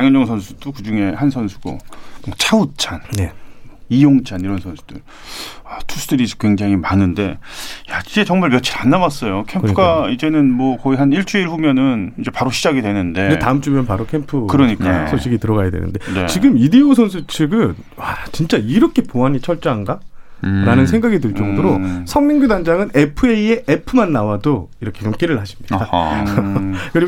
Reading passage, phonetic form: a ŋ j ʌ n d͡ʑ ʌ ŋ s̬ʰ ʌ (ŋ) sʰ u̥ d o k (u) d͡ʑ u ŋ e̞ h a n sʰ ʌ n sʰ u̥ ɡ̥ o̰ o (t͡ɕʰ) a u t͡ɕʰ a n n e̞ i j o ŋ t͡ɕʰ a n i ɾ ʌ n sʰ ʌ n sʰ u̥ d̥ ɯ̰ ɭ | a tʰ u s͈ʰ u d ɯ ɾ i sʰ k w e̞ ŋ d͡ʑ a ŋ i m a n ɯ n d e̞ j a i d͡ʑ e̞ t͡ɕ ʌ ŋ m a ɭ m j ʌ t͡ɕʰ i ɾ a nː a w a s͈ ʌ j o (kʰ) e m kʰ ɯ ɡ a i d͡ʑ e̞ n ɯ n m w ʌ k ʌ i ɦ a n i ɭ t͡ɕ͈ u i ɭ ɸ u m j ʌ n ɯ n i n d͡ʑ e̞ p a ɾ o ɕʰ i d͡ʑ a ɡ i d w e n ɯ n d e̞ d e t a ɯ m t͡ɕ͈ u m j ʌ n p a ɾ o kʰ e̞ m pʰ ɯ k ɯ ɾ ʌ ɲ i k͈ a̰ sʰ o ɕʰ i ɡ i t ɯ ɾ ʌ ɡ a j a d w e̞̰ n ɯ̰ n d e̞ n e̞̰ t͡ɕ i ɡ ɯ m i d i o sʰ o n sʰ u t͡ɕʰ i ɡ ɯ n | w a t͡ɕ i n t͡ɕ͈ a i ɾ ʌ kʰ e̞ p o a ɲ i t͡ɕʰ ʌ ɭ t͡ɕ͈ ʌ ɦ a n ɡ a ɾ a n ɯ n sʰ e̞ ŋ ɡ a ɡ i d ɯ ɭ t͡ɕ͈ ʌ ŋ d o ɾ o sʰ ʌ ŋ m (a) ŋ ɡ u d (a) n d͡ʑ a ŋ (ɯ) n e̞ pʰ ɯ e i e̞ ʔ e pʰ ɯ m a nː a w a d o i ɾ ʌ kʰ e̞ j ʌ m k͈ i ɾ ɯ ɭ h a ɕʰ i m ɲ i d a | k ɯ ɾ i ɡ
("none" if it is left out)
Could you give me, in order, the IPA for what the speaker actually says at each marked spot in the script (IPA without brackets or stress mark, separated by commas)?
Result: n, ɯ, t͡ɕʰ, kʰ, i, a, ɯ